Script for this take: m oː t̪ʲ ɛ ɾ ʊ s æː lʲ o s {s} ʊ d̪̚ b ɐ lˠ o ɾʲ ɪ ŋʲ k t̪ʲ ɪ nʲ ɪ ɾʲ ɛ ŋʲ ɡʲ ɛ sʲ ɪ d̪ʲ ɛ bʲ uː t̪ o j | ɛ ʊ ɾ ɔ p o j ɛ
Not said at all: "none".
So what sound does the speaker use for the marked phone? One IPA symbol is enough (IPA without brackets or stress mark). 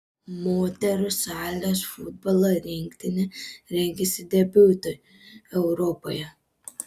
f